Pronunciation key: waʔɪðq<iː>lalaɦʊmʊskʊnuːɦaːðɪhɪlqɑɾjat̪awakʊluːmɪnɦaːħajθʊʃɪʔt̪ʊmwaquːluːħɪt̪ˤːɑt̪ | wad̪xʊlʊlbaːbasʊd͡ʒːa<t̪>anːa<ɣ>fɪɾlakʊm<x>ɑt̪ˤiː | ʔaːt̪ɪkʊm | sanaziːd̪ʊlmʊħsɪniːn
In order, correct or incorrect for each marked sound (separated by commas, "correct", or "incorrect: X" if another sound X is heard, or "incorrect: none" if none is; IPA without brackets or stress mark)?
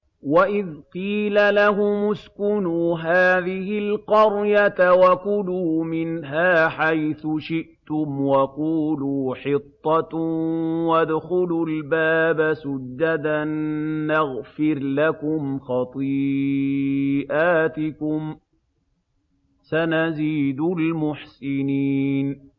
correct, incorrect: d̪, correct, correct